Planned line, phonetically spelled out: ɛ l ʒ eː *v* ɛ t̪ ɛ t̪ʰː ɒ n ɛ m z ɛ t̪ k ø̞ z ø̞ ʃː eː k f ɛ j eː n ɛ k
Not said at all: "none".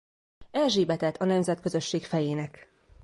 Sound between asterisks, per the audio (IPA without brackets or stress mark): b